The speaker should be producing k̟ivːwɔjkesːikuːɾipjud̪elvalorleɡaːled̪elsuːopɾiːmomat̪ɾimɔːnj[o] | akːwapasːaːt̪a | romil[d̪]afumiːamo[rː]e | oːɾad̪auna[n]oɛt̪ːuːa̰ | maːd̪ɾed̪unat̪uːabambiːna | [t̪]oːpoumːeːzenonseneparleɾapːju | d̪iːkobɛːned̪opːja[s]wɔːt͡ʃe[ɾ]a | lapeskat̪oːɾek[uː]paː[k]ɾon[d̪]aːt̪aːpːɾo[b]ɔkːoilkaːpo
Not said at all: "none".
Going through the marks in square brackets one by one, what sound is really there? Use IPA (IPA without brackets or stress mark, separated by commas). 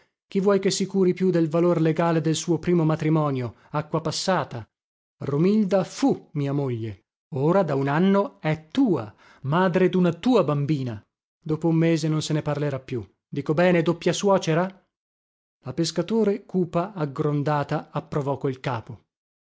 o, d̪, ʎː, nː, d̪, s, ɾ, uː, ɡ, d̪, v